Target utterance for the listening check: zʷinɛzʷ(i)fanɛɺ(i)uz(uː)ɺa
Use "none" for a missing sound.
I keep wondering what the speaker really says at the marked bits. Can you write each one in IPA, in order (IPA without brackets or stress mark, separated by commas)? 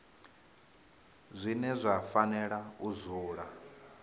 a, a, uː